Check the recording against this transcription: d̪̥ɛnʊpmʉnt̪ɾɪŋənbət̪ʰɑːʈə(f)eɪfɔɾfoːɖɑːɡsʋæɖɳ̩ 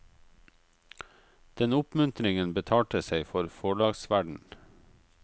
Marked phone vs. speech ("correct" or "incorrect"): incorrect